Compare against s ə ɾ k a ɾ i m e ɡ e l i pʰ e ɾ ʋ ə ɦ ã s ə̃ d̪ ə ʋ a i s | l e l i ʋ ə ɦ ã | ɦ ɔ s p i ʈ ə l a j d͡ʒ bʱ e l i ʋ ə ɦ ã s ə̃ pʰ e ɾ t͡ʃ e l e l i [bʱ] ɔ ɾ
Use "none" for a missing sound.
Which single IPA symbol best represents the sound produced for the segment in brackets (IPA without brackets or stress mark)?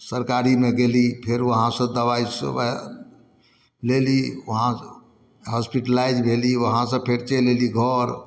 ɡʱ